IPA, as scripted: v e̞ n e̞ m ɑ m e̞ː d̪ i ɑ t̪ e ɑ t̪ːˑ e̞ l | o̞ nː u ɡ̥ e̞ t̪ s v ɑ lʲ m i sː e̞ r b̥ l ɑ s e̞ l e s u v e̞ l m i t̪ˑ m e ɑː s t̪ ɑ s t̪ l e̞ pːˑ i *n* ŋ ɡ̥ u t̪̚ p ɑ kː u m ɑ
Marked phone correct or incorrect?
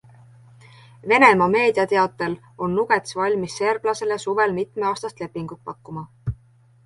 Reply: incorrect